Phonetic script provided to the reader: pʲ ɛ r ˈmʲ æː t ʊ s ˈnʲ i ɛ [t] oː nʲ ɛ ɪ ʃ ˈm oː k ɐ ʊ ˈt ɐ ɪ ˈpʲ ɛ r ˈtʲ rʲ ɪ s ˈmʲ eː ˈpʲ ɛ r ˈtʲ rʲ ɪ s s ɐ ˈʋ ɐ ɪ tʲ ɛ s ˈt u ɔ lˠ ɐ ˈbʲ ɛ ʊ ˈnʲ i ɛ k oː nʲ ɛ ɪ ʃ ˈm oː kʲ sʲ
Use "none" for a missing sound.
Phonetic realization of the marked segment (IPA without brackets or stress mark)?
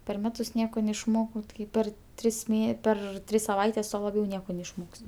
k